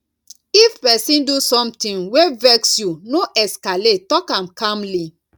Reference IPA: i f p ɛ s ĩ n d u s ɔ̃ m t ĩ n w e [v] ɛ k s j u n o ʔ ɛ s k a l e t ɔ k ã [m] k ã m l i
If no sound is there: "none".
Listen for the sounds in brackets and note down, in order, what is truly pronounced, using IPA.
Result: v, m

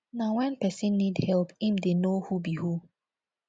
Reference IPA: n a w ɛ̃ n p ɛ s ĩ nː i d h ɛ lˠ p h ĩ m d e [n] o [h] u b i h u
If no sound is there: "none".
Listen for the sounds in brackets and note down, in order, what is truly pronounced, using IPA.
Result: n, h

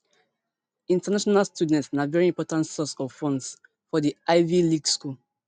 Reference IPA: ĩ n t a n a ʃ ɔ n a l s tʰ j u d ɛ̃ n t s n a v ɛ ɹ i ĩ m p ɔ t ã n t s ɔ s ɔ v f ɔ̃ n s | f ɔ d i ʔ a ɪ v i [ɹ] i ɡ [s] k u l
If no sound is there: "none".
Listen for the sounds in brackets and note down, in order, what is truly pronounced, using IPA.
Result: l, s

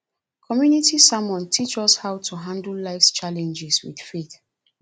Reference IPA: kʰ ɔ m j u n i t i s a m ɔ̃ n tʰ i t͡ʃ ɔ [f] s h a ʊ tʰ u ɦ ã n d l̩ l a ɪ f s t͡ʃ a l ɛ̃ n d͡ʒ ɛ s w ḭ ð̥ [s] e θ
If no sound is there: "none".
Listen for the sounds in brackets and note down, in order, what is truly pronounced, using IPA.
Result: none, f

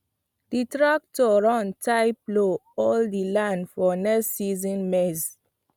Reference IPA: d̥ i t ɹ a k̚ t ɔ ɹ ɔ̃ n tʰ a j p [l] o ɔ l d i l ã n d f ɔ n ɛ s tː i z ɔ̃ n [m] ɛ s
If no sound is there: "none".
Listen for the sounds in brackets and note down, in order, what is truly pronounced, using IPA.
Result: l, m

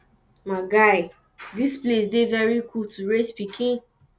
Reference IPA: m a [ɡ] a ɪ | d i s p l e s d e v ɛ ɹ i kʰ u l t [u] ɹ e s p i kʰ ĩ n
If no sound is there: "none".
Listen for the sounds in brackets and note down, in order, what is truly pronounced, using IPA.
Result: ɡ, u

